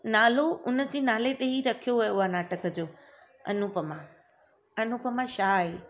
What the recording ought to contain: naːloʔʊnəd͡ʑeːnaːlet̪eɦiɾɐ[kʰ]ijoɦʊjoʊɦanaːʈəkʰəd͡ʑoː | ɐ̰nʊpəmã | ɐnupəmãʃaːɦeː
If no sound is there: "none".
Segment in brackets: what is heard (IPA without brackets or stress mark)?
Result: kʰ